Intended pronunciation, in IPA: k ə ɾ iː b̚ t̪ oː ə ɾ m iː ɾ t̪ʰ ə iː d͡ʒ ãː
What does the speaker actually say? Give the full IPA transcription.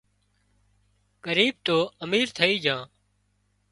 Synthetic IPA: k ə ɾ iː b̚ t̪ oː ə m iː ɾ t̪ʰ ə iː d͡ʒ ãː